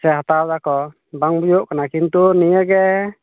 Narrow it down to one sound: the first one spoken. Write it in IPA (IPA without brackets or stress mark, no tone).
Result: s